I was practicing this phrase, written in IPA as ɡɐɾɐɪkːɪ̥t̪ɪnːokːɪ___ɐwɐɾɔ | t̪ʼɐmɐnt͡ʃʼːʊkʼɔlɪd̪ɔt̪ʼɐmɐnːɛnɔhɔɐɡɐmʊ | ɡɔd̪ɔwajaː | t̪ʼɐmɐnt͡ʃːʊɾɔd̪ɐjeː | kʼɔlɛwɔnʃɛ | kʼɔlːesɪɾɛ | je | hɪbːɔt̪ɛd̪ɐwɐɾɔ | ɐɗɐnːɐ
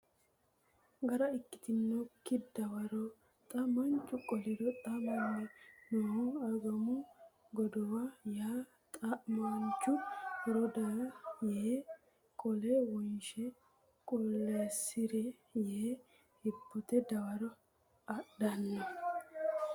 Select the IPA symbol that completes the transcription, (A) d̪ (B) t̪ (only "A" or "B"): A